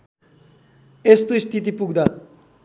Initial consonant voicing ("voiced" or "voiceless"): voiceless